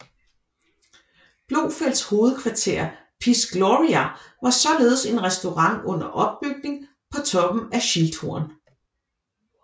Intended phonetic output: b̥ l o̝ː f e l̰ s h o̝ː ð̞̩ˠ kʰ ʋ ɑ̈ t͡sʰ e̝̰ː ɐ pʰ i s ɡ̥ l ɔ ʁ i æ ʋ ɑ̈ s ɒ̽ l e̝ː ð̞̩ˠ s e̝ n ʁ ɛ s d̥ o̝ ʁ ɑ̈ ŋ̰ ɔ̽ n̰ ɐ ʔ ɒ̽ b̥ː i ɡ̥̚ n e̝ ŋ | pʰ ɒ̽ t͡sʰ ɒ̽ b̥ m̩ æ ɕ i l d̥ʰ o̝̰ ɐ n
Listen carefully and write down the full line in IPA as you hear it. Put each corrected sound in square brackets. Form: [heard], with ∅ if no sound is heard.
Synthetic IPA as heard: b̥ l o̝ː f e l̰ s h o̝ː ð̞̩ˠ kʰ ʋ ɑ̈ t͡sʰ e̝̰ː ɐ pʰ i s ɡ̥ l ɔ ʁ i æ ʋ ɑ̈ s ɒ̽ l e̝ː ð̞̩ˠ s e̝ n ʁ ɛ s d̥ o̝ ʁ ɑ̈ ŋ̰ ɔ̽ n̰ ɐ ʔ ɒ̽ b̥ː [y] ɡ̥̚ n e̝ ŋ | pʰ ɒ̽ t͡sʰ ɒ̽ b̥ m̩ æ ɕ i l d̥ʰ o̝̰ ɐ n